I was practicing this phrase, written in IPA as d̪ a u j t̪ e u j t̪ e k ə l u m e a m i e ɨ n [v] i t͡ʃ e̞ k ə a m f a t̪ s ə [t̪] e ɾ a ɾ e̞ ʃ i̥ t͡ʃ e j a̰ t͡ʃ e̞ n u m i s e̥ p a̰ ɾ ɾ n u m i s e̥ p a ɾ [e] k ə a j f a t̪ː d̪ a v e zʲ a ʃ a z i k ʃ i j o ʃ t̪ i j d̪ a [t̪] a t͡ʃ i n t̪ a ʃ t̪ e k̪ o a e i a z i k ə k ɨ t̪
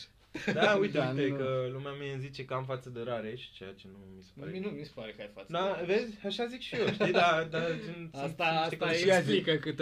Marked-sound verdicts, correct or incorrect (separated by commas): incorrect, incorrect, correct, incorrect